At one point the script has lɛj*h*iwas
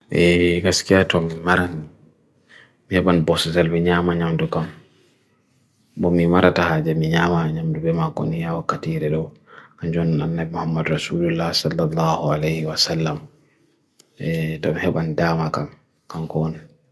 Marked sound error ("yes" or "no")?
no